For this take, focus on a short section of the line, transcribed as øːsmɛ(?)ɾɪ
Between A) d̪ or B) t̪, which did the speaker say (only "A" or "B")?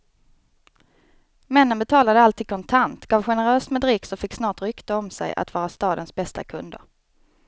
A